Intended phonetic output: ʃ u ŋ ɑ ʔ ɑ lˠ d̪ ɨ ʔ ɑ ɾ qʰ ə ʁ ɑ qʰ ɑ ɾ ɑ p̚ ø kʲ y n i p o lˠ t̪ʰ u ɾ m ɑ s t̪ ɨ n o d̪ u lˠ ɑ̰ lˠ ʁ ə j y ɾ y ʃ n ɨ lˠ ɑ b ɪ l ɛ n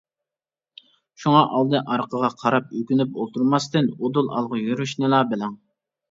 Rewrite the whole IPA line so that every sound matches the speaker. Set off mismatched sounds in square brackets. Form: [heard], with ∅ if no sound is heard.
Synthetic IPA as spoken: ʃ u ŋ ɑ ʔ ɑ lˠ d̪ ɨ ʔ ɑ ɾ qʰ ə ʁ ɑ qʰ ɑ ɾ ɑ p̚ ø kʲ y n [y] p o lˠ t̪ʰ u ɾ m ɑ s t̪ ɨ n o d̪ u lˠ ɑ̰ lˠ ʁ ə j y ɾ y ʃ n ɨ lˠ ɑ b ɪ l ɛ [ŋ]